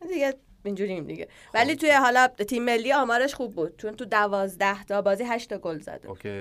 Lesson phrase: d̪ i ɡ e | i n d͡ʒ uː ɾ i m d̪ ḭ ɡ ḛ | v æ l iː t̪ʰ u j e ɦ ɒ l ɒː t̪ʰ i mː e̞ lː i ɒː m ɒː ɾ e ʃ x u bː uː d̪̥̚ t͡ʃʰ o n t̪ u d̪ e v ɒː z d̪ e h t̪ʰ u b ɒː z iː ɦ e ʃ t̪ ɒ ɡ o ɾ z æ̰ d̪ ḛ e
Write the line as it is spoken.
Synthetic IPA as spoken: d̪ i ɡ e | i n d͡ʒ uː ɾ i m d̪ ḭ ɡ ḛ | v æ l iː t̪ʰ u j e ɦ ɒ l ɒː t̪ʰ i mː e̞ lː i ɒː m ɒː ɾ e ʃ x u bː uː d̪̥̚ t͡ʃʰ o n t̪ u d̪ æ v ɒː z d̪ æ h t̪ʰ ɒ b ɒː z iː ɦ æ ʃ t̪ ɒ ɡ o l z æ̰ d̪ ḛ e